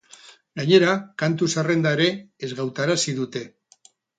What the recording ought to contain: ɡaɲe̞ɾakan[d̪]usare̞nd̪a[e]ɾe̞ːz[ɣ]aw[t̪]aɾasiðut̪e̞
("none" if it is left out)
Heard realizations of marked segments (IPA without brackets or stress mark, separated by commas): t̪, e, ɣ, t̪